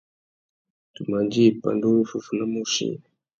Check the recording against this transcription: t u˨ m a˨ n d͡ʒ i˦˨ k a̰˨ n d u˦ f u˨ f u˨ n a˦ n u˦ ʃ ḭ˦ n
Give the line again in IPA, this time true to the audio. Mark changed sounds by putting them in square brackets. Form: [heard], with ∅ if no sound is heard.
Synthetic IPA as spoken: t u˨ m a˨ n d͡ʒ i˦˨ [p] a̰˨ n d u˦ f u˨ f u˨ n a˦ [m] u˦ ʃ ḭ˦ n